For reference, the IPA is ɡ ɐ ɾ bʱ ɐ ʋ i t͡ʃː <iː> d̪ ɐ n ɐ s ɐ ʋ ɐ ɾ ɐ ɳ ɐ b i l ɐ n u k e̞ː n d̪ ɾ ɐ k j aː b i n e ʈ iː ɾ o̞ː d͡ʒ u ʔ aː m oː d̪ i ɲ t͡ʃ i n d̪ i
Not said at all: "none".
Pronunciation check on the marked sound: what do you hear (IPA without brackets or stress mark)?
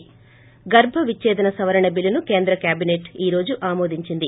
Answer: ɛː